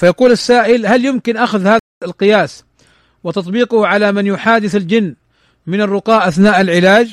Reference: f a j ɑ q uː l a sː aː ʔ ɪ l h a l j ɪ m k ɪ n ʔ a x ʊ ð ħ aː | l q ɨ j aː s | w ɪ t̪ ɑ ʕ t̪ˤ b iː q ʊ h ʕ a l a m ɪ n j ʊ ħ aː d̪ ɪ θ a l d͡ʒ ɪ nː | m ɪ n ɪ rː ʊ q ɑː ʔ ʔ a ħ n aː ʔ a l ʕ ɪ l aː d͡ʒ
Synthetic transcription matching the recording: f a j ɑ q uː l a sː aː ʔ ɪ l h a l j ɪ m k ɪ n ʔ a x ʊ ð h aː | l q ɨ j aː s | w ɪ t̪ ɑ t̪ˤ b iː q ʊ h ʕ a l a m ɪ n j ʊ ħ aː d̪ ɪ θ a l d͡ʒ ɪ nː | m ɪ n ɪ rː ʊ q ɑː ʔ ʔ a θ n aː ʔ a l ʕ ɪ l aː d͡ʒ